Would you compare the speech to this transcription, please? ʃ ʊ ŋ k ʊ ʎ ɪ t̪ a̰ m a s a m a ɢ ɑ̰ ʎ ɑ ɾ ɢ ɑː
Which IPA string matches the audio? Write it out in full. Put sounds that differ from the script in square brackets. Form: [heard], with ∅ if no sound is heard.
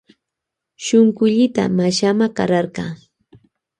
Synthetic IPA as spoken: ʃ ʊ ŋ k ʊ ʎ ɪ t̪ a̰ m a [ʃ] a m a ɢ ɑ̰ [ɾ] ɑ ɾ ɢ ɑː